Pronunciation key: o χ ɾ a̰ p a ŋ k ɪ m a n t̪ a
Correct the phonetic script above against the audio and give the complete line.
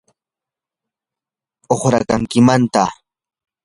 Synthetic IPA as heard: o χ ɾ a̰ k a ŋ k ɪ m a n t̪ a